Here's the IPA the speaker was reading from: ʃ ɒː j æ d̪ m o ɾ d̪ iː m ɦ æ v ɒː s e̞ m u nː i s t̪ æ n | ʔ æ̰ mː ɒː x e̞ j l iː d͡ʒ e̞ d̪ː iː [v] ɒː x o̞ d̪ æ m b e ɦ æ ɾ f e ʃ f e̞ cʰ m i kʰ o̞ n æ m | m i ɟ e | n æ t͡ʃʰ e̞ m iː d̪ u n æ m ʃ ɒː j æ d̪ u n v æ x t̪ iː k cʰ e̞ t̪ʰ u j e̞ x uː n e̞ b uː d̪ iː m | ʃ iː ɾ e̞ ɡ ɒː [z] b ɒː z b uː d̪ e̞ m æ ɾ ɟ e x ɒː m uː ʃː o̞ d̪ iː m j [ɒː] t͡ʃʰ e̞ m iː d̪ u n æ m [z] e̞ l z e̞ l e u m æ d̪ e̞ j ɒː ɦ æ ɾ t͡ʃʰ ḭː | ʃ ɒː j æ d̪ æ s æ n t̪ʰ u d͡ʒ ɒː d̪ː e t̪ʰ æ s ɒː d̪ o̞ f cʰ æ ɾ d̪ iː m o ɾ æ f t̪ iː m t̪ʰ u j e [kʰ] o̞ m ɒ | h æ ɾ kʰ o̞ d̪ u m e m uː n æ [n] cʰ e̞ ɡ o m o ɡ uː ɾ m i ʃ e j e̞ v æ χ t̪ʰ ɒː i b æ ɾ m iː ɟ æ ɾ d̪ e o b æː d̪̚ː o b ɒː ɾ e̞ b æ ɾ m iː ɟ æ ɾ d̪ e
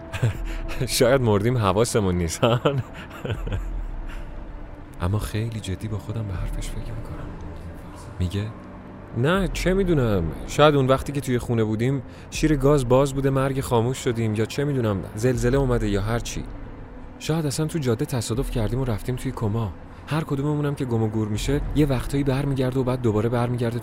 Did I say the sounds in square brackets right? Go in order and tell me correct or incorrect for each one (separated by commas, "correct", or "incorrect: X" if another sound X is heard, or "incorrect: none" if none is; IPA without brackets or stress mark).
incorrect: b, correct, correct, correct, correct, incorrect: m